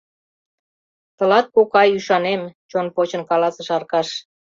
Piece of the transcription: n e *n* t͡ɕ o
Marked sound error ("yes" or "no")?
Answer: yes